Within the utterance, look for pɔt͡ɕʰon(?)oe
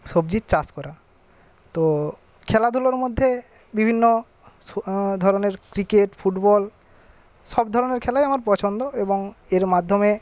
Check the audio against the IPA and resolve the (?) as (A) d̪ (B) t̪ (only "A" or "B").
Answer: A